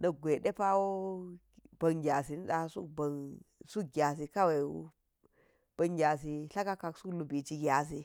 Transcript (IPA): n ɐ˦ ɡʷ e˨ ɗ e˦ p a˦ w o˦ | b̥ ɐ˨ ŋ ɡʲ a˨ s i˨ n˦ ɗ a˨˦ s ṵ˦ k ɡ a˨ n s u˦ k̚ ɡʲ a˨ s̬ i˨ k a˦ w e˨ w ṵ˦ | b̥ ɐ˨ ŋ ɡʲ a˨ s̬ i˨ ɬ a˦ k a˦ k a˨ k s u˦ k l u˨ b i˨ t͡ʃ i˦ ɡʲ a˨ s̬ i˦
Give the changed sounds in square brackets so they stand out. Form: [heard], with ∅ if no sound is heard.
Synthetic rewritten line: n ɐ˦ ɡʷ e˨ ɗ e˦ p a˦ w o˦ | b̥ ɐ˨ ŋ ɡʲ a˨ s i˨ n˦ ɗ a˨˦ s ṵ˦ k [b] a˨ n s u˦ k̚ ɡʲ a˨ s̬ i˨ k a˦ w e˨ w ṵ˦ | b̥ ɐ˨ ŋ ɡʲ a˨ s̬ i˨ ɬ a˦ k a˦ k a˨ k s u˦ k l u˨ b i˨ t͡ʃ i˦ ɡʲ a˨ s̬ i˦

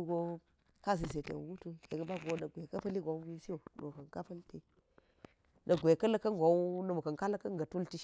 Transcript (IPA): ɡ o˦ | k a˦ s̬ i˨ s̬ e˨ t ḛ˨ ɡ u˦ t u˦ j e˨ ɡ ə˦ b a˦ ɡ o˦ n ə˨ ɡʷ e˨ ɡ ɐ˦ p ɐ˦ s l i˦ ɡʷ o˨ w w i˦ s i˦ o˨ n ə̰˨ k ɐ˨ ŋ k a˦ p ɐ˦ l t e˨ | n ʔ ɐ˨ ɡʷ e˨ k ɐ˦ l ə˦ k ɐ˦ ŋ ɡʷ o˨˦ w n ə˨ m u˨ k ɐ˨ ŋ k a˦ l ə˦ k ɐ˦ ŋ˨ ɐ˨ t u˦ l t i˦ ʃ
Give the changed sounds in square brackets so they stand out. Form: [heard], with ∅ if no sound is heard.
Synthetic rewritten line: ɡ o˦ | k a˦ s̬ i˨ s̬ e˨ t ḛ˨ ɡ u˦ t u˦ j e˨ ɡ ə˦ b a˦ ɡ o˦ n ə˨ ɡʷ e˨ [k] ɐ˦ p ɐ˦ [∅] l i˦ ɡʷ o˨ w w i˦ s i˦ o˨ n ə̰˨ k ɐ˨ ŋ k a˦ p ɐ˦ l t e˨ | n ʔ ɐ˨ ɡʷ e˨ k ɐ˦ l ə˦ k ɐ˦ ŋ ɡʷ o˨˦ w n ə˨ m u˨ k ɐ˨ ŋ k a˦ l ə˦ k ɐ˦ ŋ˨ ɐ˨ t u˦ l t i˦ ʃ

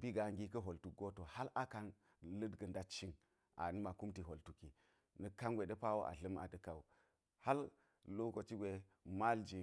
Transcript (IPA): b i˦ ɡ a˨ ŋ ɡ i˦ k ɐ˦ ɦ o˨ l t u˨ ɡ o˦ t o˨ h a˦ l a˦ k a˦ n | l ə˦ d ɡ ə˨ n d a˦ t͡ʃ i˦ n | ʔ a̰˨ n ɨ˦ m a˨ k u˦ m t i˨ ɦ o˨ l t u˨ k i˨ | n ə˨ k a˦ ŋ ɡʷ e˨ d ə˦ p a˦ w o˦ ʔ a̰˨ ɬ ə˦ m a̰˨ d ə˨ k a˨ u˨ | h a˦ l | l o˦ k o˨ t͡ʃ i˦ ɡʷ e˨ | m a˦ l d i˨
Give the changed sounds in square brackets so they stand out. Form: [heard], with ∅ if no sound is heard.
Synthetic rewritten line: b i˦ ɡ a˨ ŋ ɡ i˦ k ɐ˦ ɦ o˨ l t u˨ ɡ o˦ t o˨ h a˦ l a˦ k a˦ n | l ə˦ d ɡ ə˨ n d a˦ t͡ʃ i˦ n | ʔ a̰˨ n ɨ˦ m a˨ k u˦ m t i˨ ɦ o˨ l t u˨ k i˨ | n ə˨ k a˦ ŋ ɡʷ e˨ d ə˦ p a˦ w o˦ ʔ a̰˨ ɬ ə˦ m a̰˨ d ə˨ k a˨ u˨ | h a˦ l | l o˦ k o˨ t͡ʃ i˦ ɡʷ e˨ | m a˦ l [d͡ʒ] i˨

